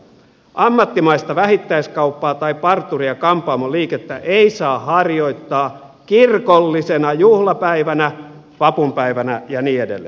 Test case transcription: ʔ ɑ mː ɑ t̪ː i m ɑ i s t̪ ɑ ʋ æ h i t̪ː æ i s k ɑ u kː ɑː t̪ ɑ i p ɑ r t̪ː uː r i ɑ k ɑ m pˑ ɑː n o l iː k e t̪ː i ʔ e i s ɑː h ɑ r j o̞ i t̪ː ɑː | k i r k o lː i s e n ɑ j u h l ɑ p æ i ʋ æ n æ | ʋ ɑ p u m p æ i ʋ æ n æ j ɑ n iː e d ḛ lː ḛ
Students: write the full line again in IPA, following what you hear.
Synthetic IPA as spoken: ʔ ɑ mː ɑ t̪ː i m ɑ i s t̪ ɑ ʋ æ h i t̪ː æ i s k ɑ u pː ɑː t̪ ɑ i p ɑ r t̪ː u r i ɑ k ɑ m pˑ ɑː m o l iː k e t̪ː æ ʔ e i s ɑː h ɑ r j o̞ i t̪ː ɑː | k i r k o lː i s e n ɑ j u h l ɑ p æ i ʋ æ n æ | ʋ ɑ p u m p æ i ʋ æ n æ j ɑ n iː e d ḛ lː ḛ

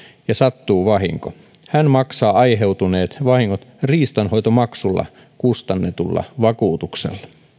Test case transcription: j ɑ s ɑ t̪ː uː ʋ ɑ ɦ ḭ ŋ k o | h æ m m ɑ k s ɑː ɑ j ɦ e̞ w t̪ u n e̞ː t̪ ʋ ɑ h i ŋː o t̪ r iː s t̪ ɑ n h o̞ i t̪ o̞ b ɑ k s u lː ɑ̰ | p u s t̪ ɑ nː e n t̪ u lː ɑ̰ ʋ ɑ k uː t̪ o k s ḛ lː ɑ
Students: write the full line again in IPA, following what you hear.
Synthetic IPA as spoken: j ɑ s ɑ t̪ː uː ʋ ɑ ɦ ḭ ŋ k o | h æ n m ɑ k s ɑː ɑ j ɦ e̞ w t̪ u n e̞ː t̪ ʋ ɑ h i ŋː o t̪ r iː s t̪ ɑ n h o̞ j t̪ o̞ m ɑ k s u lː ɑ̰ | k u s t̪ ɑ nː e t̪ u lː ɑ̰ ʋ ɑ k uː t̪ u k s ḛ lː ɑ

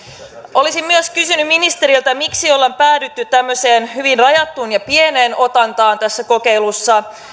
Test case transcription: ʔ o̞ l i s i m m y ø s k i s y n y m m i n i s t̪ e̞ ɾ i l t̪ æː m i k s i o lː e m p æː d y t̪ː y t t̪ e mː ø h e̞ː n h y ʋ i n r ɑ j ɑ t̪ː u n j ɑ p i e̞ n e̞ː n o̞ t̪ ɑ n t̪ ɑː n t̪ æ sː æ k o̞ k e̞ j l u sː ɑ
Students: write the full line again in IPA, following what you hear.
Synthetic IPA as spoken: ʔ o̞ l i s i m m y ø s k y s y n y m m i n i s t̪ e̞ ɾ i l t̪ æ m i k s i o lː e m p æː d y t̪ː y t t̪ æ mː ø s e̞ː n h y ʋ i n r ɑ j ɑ t̪ː u n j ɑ p i e̞ n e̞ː n o̞ t̪ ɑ n t̪ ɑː n t̪ æ sː æ k o̞ k e̞ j l u sː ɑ

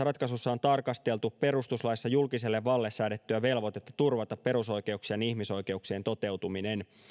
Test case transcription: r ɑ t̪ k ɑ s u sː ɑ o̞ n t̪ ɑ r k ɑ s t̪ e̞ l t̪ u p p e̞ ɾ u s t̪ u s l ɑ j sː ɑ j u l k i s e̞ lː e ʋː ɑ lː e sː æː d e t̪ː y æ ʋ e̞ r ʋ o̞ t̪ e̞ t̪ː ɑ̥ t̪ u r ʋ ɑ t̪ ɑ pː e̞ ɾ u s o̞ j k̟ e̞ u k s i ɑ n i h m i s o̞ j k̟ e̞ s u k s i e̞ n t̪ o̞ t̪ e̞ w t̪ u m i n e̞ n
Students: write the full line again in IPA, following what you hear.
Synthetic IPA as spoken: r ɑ t̪ k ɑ s u sː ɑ o̞ n t̪ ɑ r k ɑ s t̪ e̞ l t̪ u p p e̞ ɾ u s t̪ u s l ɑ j sː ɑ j u l k i s e̞ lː e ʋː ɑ lː e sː æː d e t̪ː y æ ʋ e̞ l ʋ o̞ t̪ e̞ t̪ː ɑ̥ t̪ u r ʋ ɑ t̪ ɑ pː e̞ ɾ u s o̞ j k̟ e̞ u k s i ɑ n i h m i s o̞ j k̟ e̞ u k s i e̞ n t̪ o̞ t̪ e̞ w t̪ u m i n e̞ n

